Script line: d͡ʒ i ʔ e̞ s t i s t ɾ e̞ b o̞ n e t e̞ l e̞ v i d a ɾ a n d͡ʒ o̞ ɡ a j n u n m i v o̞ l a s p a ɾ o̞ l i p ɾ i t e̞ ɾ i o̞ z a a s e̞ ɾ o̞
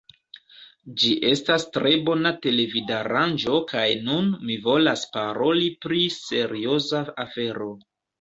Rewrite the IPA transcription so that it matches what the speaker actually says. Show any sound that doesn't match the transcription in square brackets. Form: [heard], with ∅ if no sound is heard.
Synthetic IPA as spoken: d͡ʒ i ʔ e̞ s t [a] s t ɾ e̞ b o̞ n [a] t e̞ l e̞ v i d a ɾ a n d͡ʒ o̞ [k] a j n u n m i v o̞ l a s p a ɾ o̞ l i p ɾ i [s] e̞ ɾ i o̞ z a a [f] e̞ ɾ o̞